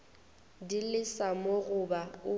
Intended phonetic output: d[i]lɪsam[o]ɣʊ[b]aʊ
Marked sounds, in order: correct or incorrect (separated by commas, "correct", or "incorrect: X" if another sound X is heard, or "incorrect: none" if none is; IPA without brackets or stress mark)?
correct, correct, correct